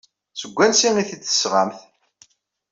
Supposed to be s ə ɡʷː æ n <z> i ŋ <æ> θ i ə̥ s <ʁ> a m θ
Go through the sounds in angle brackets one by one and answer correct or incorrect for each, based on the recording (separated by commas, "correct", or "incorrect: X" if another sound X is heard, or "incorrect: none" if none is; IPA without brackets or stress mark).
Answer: incorrect: s, incorrect: i, correct